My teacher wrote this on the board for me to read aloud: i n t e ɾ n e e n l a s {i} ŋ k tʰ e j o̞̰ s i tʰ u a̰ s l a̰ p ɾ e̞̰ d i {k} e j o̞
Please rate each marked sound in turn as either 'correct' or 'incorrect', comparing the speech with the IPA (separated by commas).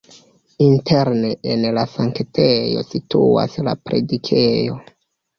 incorrect, incorrect